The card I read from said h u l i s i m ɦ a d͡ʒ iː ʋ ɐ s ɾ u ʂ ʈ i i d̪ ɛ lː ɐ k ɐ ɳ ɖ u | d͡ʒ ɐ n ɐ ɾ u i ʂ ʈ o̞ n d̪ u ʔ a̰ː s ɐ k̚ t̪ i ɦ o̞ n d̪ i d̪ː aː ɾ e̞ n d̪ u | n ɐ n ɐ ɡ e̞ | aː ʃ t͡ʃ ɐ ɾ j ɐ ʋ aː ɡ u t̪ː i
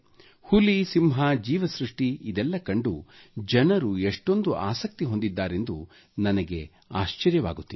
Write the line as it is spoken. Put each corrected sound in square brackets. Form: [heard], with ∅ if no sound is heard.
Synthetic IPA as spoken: h u l i s i m ɦ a d͡ʒ iː ʋ ɐ s ɾ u ʂ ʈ i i d̪ ɛ lː ɐ k ɐ ɳ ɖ u | d͡ʒ ɐ n ɐ ɾ u [e] ʂ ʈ o̞ n d̪ u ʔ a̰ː s ɐ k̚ t̪ i ɦ o̞ n d̪ i d̪ː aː ɾ e̞ n d̪ u | n ɐ n ɐ ɡ e̞ | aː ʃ t͡ʃ ɐ ɾ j ɐ ʋ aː ɡ u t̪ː i